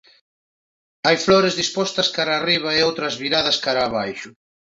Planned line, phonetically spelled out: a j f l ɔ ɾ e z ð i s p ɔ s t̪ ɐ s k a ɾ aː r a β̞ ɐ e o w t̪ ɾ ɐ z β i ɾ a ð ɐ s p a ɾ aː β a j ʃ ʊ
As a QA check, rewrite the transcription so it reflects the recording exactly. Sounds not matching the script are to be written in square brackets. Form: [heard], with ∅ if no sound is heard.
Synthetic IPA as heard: a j f l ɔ ɾ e z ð i s p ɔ s t̪ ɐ s k a ɾ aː r [i] β̞ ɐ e o w t̪ ɾ ɐ z β i ɾ a ð ɐ s [k] a ɾ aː β a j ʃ ʊ